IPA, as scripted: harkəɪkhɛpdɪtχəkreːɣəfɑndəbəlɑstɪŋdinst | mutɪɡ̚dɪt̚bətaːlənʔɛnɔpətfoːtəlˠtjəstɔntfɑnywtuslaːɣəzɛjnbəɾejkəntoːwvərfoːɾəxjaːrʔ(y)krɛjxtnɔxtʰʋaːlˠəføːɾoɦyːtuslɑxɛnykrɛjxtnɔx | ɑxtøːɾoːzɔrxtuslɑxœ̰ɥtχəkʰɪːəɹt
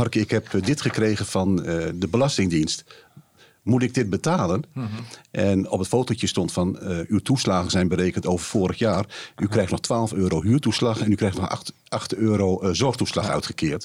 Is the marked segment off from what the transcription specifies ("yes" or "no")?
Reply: no